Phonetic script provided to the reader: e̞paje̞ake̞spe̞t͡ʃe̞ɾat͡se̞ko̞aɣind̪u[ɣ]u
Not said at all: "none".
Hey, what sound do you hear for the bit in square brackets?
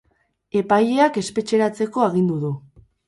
ð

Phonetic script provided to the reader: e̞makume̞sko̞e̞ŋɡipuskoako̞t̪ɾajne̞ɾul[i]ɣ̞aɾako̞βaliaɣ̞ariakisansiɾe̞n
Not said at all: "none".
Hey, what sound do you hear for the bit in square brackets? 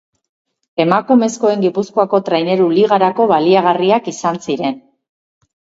i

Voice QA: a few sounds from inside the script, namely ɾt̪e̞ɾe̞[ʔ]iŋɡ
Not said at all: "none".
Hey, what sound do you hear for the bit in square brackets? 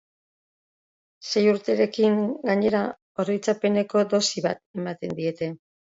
k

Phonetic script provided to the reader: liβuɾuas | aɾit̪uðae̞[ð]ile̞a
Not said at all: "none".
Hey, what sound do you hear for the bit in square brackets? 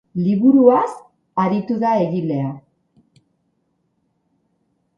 ɣ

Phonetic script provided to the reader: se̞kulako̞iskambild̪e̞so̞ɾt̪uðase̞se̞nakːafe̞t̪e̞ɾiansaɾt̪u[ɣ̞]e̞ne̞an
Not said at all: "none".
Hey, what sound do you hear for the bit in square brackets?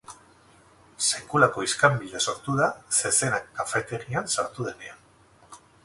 ð̞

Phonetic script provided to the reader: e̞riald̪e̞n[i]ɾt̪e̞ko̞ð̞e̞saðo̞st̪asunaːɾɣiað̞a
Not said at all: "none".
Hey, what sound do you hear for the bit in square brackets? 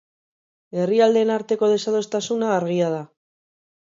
a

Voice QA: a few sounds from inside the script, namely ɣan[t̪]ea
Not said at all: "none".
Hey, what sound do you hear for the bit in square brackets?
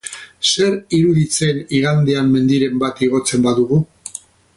d̪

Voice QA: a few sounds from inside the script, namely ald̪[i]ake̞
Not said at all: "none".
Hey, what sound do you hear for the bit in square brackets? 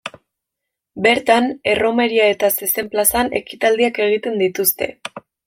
i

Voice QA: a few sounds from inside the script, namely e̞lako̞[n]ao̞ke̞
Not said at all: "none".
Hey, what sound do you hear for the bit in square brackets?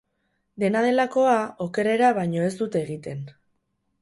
none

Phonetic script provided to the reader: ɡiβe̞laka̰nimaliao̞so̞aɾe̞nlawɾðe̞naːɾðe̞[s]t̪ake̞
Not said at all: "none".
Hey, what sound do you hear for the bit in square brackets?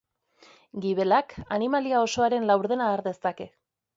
s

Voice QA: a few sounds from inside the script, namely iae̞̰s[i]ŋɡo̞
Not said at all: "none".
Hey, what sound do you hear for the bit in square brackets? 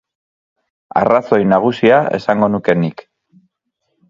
a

